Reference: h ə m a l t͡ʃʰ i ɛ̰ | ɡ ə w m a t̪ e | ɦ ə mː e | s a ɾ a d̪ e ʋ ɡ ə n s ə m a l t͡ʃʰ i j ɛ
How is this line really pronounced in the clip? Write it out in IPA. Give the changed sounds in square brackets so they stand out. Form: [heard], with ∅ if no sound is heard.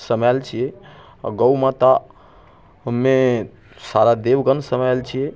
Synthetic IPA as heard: [s] ə m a l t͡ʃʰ i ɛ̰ | ɡ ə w m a t̪ [a] | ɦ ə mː e | s a ɾ a d̪ e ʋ ɡ ə n s ə m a l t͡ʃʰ i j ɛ